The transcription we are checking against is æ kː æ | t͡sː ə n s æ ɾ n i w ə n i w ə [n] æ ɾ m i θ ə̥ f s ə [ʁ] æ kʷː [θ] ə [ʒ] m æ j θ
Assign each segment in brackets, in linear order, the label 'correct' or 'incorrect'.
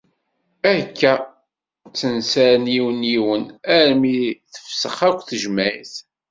correct, incorrect: χ, correct, correct

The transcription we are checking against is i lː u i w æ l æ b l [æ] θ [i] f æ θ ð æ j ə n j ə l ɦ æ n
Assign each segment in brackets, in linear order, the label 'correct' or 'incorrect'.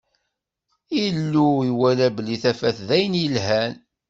incorrect: i, incorrect: æ

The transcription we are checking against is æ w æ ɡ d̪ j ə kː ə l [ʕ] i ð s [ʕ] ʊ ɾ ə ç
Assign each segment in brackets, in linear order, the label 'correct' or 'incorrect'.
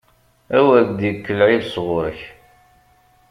correct, incorrect: ʁ

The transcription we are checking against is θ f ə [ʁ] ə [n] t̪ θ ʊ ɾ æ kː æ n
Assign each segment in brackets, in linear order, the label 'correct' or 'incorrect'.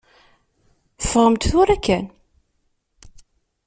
correct, incorrect: m

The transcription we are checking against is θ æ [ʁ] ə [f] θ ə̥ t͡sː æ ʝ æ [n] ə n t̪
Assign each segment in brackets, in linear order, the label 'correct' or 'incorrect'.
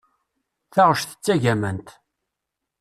correct, incorrect: ʃ, incorrect: m

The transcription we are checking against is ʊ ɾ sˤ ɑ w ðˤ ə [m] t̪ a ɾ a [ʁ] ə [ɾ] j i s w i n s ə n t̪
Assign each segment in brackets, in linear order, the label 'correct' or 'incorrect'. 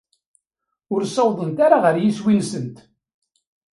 incorrect: n, correct, correct

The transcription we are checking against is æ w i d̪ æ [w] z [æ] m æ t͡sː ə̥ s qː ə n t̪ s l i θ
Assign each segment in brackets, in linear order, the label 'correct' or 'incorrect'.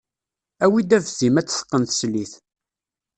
incorrect: v, incorrect: i

